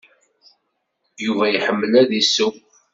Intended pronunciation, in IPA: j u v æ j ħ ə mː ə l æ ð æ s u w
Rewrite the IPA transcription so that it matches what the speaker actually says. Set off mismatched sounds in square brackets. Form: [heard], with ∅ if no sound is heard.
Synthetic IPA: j u v æ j ħ ə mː ə l æ ð [i] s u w